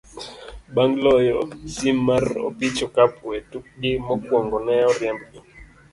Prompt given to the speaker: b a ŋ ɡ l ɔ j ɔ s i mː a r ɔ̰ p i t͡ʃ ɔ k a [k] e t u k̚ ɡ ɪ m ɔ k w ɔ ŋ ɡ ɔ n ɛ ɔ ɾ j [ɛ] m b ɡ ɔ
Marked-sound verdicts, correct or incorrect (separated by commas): incorrect, correct